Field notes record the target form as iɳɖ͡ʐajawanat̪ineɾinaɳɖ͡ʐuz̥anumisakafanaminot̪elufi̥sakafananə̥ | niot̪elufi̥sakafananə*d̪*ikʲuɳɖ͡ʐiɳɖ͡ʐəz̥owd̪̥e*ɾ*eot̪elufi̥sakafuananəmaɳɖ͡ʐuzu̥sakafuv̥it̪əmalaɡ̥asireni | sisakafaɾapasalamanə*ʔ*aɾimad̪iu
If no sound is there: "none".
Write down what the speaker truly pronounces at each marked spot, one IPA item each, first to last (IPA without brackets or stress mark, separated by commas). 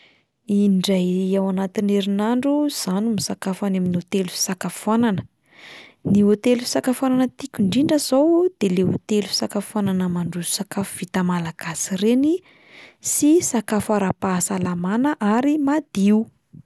t̪, l, ʔ